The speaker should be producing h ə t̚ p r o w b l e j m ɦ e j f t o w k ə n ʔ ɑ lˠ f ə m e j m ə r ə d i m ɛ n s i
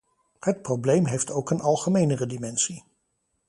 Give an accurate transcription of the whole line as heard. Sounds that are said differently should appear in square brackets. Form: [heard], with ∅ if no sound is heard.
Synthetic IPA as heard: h ə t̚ p r o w b l e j m ɦ e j f t o w k ə n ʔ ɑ lˠ [χ] ə m e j [n] ə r ə d i m ɛ n s i